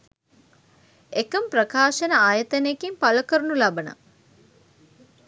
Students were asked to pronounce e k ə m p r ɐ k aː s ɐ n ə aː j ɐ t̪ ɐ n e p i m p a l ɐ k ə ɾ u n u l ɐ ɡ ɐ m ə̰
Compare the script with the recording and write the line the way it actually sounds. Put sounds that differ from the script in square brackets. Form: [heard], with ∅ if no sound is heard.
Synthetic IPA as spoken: e k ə m p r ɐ k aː [ʃ] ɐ n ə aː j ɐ t̪ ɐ n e [k] i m p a l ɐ k ə ɾ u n u l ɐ [b] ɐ [n] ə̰